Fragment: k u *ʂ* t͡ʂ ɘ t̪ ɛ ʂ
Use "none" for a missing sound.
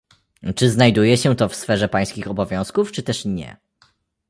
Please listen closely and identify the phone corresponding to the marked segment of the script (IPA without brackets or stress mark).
f